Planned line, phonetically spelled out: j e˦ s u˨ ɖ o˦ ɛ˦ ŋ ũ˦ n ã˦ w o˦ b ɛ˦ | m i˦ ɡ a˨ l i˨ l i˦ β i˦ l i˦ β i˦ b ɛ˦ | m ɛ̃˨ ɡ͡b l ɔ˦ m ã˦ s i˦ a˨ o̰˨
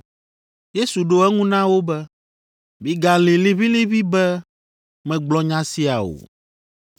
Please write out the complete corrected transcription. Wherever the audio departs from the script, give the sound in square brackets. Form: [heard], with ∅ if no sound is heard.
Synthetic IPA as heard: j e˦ s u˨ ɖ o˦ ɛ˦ ŋ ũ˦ n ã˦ w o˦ b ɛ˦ | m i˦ ɡ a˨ l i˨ l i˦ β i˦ l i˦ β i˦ b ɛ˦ | m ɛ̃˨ ɡ͡b l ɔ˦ [ɲ] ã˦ s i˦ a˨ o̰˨

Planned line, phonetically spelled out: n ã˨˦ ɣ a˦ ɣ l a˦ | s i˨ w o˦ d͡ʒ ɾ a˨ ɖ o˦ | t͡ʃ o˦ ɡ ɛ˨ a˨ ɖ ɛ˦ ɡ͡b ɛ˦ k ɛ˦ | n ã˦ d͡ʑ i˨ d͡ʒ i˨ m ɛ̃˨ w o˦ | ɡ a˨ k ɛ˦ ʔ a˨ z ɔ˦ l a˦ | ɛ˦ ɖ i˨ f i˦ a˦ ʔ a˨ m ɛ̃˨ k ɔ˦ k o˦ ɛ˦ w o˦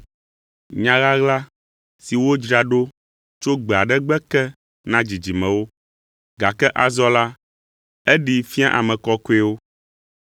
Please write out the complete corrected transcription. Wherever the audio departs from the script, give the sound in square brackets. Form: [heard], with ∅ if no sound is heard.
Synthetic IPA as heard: [ɲ] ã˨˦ ɣ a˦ ɣ l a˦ | s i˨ w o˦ d͡ʒ ɾ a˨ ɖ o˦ | t͡ʃ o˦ [ɡ͡b] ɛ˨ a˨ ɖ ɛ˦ ɡ͡b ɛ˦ k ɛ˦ | n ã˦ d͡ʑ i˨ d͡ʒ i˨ m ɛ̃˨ w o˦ | ɡ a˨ k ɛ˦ ʔ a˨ z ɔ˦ l a˦ | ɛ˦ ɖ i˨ f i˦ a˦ ʔ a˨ m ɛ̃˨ k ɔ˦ k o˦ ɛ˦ w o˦

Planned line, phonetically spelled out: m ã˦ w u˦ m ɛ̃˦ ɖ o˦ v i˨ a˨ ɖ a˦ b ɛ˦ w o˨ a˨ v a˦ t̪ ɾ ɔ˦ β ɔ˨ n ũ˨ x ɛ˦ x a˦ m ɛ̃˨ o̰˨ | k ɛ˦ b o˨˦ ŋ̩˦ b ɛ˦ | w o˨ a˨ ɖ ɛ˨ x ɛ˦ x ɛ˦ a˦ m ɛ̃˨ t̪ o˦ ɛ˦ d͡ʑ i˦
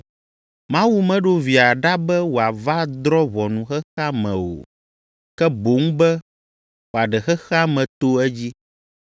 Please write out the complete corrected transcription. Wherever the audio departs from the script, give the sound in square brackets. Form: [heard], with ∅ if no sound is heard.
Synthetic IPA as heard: m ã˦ w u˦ m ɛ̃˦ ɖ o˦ v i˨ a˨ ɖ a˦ b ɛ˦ w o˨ a˨ v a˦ [d̪] ɾ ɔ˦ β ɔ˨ n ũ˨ x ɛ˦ x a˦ m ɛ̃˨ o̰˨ | k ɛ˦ b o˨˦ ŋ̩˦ b ɛ˦ | w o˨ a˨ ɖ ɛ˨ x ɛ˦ x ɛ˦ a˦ m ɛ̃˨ t̪ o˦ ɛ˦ d͡ʑ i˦

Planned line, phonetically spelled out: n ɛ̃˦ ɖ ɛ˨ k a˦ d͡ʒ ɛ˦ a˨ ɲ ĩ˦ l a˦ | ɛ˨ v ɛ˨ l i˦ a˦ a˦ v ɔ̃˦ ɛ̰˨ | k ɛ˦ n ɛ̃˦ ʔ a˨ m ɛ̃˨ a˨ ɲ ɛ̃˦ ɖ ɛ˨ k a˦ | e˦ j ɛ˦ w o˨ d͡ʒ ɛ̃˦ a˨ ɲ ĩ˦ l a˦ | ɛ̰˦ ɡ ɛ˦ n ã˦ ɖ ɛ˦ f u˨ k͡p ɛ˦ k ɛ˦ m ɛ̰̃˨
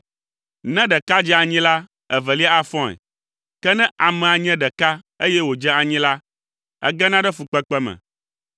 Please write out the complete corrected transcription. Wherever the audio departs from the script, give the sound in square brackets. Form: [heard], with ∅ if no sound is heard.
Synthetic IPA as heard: n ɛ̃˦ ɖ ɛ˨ k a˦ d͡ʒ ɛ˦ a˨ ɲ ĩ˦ l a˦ | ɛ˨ v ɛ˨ l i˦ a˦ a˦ [f] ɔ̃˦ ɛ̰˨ | k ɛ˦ n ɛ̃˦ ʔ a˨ m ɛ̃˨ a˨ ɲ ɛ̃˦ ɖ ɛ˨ k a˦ | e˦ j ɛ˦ w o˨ d͡ʒ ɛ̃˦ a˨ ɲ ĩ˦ l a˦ | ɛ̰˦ ɡ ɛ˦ n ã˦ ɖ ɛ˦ f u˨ k͡p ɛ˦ [k͡p] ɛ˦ m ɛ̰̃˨

